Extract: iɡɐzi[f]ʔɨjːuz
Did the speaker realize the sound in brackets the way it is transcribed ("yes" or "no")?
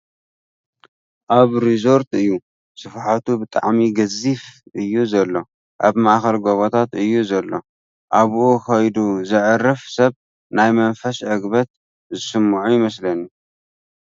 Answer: yes